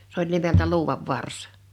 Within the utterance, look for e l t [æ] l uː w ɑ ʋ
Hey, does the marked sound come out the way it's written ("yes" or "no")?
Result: yes